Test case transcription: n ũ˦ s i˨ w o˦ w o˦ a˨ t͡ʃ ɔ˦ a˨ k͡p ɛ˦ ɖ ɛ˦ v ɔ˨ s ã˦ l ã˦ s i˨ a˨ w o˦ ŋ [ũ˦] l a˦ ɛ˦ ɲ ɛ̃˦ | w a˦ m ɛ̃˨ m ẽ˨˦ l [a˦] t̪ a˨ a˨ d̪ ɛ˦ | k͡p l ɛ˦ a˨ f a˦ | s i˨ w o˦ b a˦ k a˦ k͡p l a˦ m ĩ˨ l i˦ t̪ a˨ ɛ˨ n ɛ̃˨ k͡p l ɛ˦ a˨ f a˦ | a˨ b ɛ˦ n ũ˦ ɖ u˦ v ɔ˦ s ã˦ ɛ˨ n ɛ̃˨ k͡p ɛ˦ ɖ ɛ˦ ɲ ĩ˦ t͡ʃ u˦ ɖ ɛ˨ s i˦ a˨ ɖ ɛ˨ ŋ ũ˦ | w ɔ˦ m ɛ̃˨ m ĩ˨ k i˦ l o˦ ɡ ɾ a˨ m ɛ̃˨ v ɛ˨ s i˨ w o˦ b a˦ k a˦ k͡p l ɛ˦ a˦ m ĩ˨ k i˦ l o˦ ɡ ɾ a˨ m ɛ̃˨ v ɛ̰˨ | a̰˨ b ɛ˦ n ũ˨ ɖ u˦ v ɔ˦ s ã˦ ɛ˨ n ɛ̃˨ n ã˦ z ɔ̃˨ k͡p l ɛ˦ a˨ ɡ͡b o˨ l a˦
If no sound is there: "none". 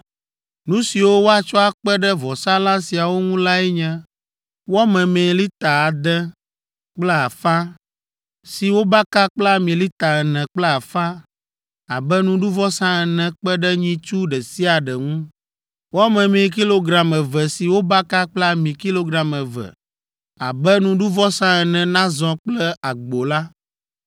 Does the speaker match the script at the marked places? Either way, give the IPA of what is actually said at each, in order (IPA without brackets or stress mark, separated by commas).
ũ˦, i˦